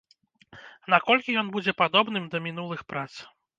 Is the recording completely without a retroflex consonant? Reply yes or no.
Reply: yes